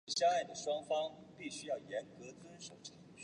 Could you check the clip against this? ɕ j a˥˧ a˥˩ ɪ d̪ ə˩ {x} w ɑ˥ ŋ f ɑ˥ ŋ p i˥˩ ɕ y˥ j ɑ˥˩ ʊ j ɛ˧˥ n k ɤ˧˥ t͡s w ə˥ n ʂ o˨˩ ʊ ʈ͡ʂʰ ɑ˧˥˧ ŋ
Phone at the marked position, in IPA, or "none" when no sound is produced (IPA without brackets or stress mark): ʂ